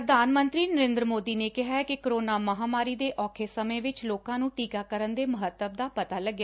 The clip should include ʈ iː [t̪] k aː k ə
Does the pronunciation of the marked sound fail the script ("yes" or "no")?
yes